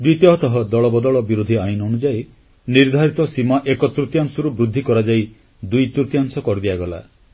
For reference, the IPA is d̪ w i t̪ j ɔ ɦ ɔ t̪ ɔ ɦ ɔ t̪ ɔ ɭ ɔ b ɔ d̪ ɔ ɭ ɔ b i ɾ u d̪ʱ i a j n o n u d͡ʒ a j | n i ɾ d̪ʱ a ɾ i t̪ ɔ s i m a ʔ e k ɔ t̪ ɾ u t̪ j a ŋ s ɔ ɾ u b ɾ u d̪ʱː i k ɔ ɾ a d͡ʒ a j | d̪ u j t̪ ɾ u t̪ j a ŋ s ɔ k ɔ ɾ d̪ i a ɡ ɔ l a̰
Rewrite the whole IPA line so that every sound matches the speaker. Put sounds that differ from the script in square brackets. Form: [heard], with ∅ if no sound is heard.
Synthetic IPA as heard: d̪ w i t̪ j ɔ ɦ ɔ t̪ ɔ ɦ ɔ [d̪] ɔ ɭ ɔ b ɔ d̪ ɔ ɭ ɔ b i ɾ u d̪ʱ i a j n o n u d͡ʒ a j | n i ɾ d̪ʱ a ɾ i t̪ ɔ s i m a ʔ e k ɔ t̪ ɾ u t̪ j a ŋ s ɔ ɾ u b ɾ u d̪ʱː i k ɔ ɾ a d͡ʒ a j | d̪ u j t̪ ɾ u t̪ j a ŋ s ɔ k ɔ ɾ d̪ i a ɡ ɔ l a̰